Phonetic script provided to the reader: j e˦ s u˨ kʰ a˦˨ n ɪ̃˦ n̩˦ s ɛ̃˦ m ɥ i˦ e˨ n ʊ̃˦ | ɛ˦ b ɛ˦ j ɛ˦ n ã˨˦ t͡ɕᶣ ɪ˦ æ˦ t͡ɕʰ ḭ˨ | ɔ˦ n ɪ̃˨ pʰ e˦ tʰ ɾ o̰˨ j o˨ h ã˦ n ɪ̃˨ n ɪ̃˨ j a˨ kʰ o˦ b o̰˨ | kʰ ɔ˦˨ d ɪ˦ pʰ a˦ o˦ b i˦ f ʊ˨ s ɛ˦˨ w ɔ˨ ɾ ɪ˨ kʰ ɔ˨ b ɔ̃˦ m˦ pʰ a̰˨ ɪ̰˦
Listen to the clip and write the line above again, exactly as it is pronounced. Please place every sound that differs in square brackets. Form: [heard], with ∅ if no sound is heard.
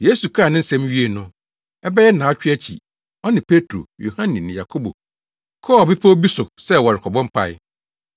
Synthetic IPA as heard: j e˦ s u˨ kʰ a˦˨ n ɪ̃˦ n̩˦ s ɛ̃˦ m ɥ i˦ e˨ n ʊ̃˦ | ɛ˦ b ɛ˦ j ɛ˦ n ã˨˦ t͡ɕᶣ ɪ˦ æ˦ t͡ɕʰ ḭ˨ | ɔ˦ n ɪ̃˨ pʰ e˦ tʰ ɾ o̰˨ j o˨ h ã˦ n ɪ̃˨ n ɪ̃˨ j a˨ kʰ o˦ b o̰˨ | kʰ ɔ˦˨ [b] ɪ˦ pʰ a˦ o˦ b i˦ [s] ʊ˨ s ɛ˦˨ w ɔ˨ ɾ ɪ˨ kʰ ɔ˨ b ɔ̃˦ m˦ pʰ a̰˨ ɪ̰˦